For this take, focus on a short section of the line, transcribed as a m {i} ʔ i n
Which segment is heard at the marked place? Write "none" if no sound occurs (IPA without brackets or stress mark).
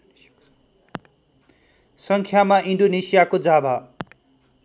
a